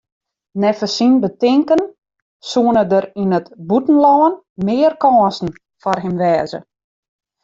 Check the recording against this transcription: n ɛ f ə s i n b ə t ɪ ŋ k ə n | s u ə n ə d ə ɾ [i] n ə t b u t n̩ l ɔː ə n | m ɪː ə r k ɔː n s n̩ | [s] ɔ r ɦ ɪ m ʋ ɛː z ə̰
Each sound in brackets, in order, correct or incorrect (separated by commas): correct, incorrect